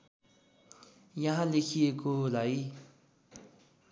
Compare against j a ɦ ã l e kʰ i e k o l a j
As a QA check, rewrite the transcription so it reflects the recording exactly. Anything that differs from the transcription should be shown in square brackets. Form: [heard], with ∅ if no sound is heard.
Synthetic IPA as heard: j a ɦ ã l e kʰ i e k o l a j

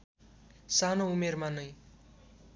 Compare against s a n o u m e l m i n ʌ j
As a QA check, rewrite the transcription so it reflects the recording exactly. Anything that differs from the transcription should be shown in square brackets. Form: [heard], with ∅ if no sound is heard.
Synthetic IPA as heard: s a n o u m e [r] m [a] n ʌ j

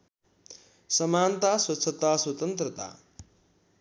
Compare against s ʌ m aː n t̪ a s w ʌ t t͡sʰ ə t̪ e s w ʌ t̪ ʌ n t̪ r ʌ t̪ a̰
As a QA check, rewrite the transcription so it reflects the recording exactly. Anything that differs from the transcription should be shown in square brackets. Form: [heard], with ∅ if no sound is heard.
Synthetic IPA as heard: s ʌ m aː n t̪ a s w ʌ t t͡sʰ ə t̪ [a] s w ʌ t̪ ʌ n t̪ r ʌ t̪ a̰

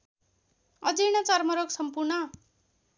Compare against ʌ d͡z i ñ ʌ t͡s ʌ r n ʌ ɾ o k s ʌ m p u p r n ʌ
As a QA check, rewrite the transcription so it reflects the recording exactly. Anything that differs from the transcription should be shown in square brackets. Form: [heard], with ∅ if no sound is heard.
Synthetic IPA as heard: ʌ d͡z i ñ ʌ t͡s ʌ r [m] ʌ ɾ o k s ʌ m p u [∅] r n ʌ

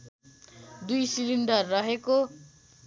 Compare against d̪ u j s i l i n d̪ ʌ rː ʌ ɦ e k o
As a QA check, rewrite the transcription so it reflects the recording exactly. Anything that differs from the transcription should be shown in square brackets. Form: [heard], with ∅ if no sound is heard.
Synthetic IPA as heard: d̪ u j s i l i n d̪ ʌ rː ʌ ɦ e k o

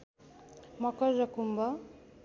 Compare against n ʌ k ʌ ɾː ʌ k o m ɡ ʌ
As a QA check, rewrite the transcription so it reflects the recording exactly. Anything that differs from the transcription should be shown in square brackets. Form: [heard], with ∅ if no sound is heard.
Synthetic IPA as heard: [m] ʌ k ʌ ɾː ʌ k [u] m [b] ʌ

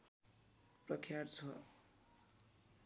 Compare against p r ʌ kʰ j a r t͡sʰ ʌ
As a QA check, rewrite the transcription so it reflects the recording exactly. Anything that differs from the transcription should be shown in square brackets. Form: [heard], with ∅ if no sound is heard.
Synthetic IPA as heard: p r ʌ kʰ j a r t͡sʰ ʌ

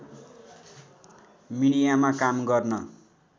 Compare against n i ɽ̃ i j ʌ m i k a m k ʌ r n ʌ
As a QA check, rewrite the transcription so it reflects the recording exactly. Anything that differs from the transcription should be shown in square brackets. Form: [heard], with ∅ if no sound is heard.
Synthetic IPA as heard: [m] i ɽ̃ i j [a] m [a] k a m [ɡ] ʌ r n ʌ

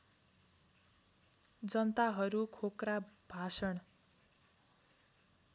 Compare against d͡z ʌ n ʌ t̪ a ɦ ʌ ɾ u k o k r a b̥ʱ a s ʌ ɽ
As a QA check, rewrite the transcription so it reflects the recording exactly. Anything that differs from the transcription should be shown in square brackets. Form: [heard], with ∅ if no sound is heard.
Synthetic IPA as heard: d͡z ʌ n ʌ t̪ a ɦ ʌ ɾ u [kʰ] o k r a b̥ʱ a s ʌ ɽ

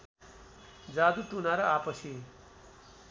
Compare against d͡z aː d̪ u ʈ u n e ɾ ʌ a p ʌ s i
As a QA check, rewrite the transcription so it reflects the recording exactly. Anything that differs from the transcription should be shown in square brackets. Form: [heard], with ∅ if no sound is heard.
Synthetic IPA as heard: d͡z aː d̪ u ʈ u n [a] ɾ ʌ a p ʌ s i

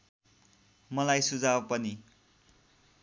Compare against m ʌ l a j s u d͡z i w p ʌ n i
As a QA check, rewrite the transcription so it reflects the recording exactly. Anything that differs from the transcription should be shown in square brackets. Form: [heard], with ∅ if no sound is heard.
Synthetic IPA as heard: m ʌ l a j s u d͡z [a] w p ʌ n i

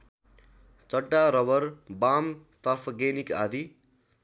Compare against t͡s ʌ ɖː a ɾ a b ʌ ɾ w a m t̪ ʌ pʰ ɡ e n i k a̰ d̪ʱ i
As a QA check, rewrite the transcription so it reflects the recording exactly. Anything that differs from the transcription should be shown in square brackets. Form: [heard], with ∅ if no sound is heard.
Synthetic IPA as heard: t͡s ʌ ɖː a ɾ [ʌ] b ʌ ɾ [b] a m t̪ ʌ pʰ ɡ e n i k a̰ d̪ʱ i

